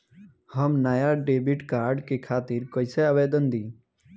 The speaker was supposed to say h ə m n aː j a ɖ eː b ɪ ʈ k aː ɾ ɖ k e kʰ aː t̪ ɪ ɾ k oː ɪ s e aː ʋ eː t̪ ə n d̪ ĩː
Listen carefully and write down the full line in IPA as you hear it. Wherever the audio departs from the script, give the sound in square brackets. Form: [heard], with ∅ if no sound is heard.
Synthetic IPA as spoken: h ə m n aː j a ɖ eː b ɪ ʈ k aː ɾ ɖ k e kʰ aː t̪ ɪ ɾ k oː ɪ s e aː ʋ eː [d̪] ə n d̪ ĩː

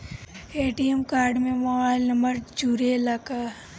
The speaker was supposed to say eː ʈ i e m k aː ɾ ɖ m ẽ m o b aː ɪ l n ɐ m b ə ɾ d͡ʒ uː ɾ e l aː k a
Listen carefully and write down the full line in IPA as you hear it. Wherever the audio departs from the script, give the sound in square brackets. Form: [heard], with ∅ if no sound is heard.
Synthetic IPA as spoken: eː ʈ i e m k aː ɾ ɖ m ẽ m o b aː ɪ l n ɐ m b ə ɾ d͡ʒ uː ɾ e l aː k a

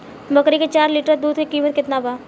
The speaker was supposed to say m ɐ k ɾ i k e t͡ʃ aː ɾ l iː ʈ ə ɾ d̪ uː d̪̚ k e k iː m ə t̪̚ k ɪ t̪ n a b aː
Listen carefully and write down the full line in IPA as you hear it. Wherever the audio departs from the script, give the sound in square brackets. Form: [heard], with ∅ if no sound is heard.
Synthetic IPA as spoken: [b] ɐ k ɾ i k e t͡ʃ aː ɾ l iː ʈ ə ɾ d̪ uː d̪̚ k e k iː m ə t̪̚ k ɪ t̪ n a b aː

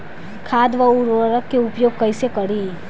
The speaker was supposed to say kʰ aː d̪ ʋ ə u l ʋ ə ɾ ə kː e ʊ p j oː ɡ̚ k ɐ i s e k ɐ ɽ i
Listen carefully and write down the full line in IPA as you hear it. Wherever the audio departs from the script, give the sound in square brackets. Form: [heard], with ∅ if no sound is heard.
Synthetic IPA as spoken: kʰ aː d̪ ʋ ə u [ɾ] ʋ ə ɾ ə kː e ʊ p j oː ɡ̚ k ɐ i s e k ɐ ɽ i

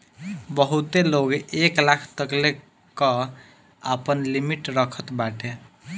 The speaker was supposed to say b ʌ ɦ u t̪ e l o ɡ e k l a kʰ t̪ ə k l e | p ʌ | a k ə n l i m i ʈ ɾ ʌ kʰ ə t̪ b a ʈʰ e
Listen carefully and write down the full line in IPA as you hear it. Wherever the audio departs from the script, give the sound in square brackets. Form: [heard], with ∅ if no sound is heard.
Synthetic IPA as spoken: b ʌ ɦ u t̪ e l o ɡ e k l a kʰ t̪ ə k l e | [k] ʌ | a [p] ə n l i m i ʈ ɾ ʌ kʰ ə t̪ b a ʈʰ e

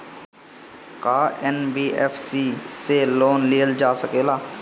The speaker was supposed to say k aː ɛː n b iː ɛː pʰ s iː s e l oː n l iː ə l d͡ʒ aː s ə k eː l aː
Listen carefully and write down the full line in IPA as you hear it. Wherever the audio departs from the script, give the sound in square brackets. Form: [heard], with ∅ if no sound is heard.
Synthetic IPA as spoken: k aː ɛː n b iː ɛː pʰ s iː s e l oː n l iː ə l d͡ʒ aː s ə k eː l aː

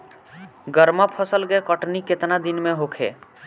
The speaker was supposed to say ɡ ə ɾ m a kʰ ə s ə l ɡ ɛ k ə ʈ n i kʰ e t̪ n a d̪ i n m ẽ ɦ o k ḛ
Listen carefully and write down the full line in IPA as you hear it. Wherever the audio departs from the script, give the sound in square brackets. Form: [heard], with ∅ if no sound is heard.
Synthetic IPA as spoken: ɡ ə ɾ m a [pʰ] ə s ə l ɡ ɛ k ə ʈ n i [k] e t̪ n a d̪ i n m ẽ ɦ o [kʰ] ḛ

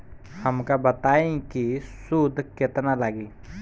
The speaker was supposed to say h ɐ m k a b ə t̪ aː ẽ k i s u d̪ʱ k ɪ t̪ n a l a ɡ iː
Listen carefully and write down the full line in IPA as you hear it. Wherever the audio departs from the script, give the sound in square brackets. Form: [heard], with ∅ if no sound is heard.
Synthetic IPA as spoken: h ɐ m k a b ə t̪ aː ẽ k i s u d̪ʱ k ɪ t̪ n a l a ɡ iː

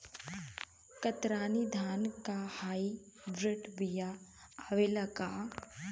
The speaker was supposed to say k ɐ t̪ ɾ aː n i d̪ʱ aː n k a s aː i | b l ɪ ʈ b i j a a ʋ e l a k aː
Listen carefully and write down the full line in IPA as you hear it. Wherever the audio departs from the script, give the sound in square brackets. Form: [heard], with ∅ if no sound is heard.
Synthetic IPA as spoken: k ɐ t̪ ɾ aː n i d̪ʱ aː n k a [h] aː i | b [ɾ] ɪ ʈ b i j a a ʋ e l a k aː

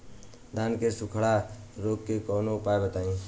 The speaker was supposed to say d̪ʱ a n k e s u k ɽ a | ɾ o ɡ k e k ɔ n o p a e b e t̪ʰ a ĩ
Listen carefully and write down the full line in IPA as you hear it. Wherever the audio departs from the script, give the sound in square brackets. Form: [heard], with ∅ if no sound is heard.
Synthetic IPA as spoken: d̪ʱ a n k e s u [kʰ] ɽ a | ɾ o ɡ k e k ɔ n o p a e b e [t̪] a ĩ

